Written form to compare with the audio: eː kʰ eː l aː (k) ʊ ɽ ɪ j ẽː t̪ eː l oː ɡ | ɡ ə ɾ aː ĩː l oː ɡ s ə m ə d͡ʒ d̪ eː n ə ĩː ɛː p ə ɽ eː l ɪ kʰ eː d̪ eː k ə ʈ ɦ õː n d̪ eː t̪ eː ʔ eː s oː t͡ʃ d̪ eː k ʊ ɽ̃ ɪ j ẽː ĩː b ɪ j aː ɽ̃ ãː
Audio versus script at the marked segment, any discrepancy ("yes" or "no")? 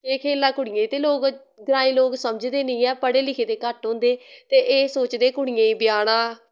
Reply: no